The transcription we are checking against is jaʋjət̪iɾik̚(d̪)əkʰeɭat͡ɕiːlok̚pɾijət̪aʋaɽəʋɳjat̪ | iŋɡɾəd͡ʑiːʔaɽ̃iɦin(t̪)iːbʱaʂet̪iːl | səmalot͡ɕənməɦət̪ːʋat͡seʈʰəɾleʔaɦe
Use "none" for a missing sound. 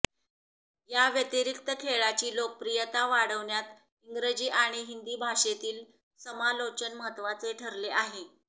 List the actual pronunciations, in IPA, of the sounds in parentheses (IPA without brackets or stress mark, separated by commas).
t̪, d̪